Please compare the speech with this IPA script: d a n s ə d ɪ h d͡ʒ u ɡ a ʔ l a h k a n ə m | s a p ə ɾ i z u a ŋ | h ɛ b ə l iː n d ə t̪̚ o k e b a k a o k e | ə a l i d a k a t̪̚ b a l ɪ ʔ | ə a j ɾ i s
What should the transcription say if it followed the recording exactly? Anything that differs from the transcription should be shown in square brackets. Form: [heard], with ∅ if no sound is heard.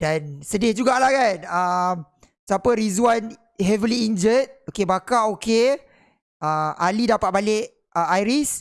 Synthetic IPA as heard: d a n s ə d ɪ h d͡ʒ u ɡ a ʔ l a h k a n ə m | s a p ə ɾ i z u a [n] | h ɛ [v] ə l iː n [d͡ʒ] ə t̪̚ o k e b a k a o k e | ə a l i d a [p] a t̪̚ b a l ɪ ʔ | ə a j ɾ i s